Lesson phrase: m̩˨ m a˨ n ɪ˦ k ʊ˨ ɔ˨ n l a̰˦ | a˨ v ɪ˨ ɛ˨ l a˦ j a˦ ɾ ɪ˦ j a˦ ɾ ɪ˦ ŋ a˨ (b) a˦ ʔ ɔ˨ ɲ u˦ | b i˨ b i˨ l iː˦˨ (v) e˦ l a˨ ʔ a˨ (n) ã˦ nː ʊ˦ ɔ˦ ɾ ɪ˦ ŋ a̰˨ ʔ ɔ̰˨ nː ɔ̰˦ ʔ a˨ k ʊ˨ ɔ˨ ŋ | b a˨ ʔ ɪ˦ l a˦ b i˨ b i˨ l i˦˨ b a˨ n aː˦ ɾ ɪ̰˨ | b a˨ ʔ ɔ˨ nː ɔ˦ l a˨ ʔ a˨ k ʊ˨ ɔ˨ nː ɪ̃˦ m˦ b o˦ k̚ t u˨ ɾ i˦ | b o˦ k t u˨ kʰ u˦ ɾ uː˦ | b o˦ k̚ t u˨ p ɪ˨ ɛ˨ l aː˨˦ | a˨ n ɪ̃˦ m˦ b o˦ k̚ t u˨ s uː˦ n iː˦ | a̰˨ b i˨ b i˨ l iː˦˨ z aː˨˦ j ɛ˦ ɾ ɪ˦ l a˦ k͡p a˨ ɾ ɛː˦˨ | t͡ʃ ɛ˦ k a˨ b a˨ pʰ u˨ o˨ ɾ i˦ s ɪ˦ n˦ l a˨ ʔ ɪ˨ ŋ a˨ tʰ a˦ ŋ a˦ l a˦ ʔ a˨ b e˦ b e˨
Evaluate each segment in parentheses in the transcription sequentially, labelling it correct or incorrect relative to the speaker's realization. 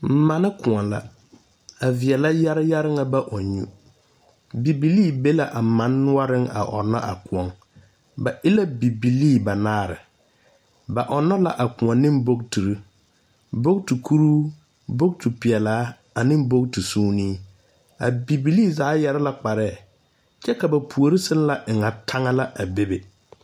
correct, incorrect: b, incorrect: m

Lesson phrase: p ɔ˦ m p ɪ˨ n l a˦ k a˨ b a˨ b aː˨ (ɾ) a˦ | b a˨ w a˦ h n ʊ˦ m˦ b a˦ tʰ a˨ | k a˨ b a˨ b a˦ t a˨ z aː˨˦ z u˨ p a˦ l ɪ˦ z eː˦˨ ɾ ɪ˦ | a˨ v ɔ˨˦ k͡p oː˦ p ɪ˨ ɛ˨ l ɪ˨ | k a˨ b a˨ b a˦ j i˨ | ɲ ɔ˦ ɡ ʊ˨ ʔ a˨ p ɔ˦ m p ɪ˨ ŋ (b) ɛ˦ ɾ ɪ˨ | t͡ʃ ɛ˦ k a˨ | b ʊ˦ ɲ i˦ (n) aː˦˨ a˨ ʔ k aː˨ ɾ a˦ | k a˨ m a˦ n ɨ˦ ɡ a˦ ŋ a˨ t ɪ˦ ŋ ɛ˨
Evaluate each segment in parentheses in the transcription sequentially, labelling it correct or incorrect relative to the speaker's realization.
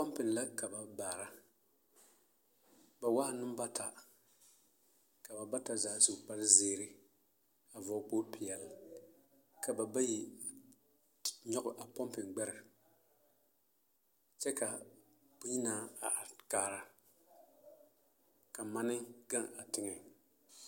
correct, incorrect: ɡ͡b, correct

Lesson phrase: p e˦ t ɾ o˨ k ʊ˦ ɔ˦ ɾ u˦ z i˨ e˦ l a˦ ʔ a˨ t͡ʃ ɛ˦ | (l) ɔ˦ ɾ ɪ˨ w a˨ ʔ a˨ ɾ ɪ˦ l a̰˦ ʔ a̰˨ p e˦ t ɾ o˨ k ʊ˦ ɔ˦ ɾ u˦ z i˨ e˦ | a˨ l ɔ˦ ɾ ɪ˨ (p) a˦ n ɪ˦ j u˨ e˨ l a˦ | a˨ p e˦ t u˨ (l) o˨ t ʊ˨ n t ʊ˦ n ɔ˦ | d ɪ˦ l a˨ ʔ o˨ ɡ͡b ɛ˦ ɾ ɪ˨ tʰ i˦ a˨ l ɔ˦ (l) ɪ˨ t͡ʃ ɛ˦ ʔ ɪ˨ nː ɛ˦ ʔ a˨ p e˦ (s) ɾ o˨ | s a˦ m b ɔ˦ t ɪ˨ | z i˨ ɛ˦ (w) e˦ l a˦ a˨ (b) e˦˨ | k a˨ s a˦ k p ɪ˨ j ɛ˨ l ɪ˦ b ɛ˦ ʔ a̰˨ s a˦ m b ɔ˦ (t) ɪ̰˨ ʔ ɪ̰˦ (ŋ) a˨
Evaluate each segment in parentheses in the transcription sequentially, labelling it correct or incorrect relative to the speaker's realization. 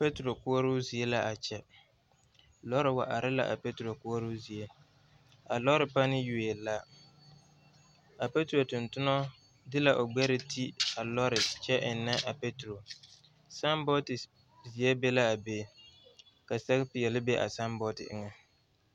correct, correct, incorrect: ɾ, incorrect: ɾ, incorrect: t, incorrect: b, correct, correct, correct

